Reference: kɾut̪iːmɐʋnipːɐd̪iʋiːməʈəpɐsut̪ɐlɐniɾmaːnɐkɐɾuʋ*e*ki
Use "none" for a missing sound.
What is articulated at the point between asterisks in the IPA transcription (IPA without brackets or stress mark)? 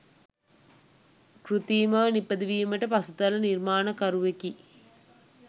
e